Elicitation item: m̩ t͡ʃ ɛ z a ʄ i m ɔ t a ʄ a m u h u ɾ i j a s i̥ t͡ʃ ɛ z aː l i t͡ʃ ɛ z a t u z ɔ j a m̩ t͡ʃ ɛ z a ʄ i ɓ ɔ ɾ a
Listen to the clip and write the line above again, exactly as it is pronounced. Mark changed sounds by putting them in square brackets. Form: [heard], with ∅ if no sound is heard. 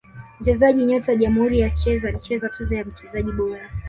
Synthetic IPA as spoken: m̩ t͡ʃ ɛ z a ʄ i [ɲ] ɔ t a ʄ a m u h u ɾ i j a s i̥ t͡ʃ ɛ z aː l i t͡ʃ ɛ z a t u z ɔ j a m̩ t͡ʃ ɛ z a ʄ i ɓ ɔ ɾ a